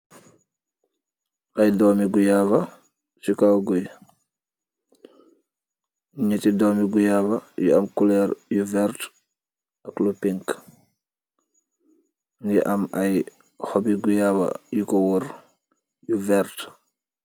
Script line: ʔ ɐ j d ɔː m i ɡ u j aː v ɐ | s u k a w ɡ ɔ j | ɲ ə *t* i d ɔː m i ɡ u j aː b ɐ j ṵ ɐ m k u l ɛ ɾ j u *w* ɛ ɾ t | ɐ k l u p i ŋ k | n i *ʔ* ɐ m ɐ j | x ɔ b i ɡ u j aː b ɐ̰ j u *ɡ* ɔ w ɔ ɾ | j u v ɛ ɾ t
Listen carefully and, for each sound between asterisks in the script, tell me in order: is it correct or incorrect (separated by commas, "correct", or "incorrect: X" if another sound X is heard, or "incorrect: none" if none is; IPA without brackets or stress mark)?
correct, incorrect: v, correct, incorrect: k